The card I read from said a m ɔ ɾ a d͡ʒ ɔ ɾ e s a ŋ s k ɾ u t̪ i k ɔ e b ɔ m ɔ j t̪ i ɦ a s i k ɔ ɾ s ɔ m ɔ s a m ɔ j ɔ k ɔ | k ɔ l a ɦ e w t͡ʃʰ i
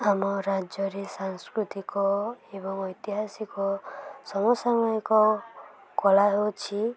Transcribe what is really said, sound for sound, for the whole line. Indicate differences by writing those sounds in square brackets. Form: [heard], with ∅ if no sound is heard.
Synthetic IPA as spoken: a m ɔ ɾ a d͡ʒ ɔ ɾ e s a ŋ s k ɾ u t̪ i k ɔ e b ɔ [ŋ] ɔ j t̪ i ɦ a s i k ɔ [∅] s ɔ m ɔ s a m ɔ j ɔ k ɔ | k ɔ l a ɦ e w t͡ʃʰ i